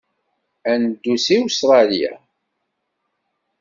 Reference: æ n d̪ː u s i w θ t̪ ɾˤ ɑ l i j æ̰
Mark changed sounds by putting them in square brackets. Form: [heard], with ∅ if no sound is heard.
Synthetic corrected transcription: æ n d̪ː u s i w [s] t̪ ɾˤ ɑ l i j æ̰